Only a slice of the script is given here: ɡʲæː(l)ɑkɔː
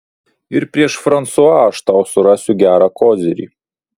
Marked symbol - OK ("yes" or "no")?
no